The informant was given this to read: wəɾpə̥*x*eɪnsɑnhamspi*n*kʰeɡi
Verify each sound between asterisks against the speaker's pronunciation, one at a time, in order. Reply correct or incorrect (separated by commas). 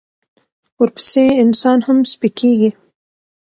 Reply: incorrect, incorrect